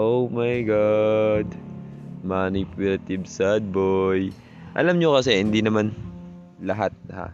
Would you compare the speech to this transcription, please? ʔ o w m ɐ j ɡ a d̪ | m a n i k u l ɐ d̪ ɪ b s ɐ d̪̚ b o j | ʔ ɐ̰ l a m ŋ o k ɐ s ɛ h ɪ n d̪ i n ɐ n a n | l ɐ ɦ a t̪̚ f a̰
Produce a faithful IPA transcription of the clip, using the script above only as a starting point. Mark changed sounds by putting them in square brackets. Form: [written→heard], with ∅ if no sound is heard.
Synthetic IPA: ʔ o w m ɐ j ɡ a d̪ | m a n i [k→p] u l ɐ [d̪→t̪] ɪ b s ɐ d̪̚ b o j | ʔ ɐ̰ l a m [ŋ→ɲ] o k ɐ s ɛ h ɪ n d̪ i n ɐ [n→m] a n | l ɐ ɦ a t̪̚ [f→h] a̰